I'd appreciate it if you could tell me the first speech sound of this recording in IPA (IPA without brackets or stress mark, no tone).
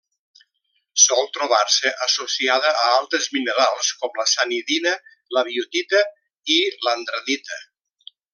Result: s